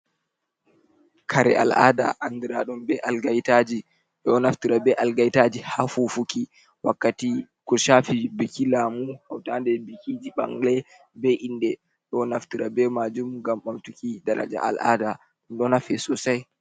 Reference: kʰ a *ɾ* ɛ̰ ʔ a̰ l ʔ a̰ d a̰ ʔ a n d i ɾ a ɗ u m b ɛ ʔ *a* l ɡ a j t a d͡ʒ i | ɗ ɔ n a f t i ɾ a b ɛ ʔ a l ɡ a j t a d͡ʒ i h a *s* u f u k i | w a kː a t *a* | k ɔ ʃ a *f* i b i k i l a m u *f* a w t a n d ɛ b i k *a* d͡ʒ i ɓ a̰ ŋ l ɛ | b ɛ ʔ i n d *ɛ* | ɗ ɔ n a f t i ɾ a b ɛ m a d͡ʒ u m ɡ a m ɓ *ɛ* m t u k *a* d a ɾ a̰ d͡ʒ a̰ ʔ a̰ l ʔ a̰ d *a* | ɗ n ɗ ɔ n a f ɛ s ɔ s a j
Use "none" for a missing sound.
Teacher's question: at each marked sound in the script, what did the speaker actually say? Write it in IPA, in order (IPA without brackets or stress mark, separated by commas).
ɾ, a, f, i, f, h, i, ɛ, a, i, a